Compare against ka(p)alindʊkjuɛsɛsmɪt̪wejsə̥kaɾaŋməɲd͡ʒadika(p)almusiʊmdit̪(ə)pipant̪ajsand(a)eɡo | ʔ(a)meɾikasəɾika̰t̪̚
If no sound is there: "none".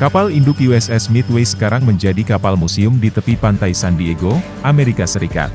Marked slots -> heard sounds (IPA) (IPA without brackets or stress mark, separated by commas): p, p, ə, i, a